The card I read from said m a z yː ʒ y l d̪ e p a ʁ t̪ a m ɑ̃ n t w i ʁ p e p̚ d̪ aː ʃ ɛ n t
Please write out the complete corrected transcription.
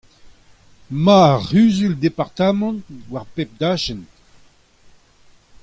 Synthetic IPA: m a ʁ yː z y l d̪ e p a ʁ t̪ a m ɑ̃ n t w a ʁ p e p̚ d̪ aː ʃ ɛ n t